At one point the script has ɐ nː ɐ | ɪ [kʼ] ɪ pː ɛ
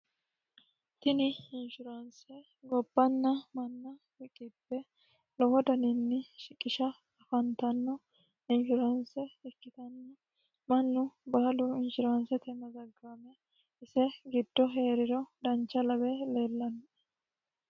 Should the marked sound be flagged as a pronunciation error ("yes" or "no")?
no